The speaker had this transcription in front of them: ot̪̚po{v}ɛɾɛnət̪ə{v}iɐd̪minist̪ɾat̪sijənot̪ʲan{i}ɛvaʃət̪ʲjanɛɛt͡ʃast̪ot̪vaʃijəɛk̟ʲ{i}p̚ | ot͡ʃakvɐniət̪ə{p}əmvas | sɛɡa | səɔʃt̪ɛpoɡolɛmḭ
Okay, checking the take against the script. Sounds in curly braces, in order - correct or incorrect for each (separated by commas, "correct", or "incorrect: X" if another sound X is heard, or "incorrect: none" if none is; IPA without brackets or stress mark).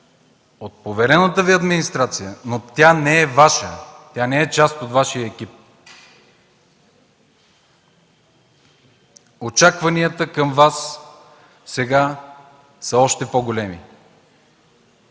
correct, correct, incorrect: ɛ, correct, incorrect: k